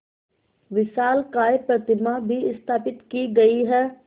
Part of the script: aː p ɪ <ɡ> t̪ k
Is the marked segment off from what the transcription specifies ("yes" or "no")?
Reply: yes